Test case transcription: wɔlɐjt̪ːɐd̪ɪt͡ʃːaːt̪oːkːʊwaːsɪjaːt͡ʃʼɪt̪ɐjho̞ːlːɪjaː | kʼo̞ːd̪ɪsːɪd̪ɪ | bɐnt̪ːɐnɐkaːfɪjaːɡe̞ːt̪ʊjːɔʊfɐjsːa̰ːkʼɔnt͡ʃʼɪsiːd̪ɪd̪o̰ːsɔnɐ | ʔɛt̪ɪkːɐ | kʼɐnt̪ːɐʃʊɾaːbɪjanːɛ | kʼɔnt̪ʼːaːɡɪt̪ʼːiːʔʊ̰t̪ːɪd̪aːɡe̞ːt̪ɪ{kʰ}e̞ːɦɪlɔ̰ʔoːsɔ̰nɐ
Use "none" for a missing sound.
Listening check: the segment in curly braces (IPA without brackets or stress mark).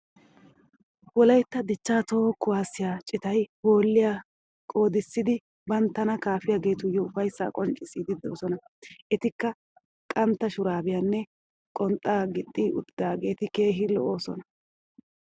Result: k